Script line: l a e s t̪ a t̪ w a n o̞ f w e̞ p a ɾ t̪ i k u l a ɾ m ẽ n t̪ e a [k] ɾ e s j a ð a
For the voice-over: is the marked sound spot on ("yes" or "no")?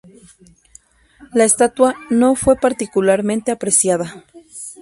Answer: no